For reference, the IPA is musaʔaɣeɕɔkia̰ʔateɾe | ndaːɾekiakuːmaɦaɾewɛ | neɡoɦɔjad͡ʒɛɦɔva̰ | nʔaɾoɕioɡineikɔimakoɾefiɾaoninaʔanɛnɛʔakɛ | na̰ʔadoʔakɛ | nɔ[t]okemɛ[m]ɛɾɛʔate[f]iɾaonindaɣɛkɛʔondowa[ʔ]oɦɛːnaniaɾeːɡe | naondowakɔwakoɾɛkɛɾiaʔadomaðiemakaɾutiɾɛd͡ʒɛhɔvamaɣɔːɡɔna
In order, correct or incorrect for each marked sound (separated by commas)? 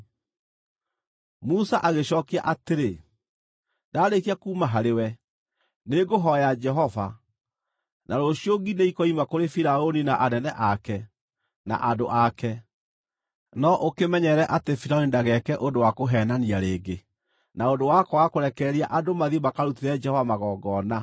incorrect, incorrect, correct, incorrect